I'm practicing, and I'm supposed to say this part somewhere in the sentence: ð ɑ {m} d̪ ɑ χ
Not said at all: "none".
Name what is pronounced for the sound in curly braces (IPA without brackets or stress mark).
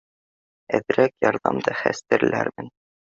m